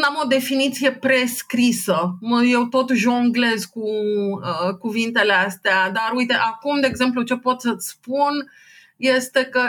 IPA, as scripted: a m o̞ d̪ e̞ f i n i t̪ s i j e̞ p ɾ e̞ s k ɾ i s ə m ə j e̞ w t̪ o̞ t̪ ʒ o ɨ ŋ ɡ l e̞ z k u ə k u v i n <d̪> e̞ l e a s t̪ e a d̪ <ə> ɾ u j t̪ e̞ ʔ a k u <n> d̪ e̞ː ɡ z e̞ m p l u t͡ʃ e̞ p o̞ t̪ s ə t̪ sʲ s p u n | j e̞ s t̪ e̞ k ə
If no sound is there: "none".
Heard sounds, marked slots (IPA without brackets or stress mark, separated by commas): t̪, a, m